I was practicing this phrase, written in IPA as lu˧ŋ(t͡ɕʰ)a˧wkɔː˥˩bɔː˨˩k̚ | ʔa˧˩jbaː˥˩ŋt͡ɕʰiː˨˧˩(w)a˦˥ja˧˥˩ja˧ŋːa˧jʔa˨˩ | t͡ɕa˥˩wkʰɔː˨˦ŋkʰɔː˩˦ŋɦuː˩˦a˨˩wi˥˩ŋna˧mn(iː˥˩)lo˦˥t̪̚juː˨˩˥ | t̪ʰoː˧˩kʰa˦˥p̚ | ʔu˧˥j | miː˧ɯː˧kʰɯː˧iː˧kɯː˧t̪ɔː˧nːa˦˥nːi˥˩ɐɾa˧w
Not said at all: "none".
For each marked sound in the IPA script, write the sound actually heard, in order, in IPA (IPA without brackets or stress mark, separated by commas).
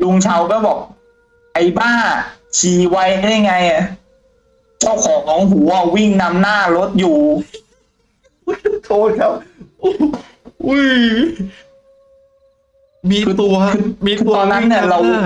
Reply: t͡ɕʰ, w, aː˥˩